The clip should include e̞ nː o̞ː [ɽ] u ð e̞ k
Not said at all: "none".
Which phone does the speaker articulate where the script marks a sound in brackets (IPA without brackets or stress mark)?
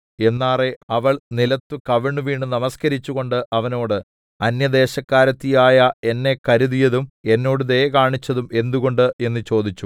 ɽ